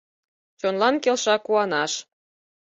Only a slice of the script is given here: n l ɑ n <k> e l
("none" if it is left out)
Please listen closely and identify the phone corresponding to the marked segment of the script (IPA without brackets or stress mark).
k